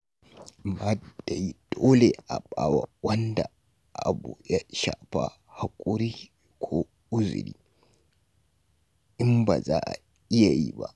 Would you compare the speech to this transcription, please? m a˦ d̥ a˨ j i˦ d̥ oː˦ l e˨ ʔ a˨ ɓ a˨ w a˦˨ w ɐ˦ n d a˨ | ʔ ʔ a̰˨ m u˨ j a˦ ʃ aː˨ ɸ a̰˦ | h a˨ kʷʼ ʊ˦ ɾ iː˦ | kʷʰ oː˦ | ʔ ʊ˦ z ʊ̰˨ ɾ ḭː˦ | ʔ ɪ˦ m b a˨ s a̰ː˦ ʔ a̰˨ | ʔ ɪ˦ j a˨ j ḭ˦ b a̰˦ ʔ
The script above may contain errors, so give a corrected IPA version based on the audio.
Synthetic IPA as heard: m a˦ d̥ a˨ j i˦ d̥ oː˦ l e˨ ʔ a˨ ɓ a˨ w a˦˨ w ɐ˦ n d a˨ | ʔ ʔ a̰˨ b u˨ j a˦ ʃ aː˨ ɸ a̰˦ | h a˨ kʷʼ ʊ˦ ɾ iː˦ | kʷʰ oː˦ | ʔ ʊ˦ z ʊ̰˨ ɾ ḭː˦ | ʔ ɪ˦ m b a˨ z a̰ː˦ ʔ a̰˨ | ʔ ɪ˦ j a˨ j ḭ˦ b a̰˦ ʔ